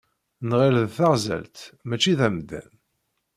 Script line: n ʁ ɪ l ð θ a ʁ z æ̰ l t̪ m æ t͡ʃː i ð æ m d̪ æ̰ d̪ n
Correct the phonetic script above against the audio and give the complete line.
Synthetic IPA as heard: n ʁ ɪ l ð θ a ʁ z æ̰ l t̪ m æ t͡ʃː i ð æ m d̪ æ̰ n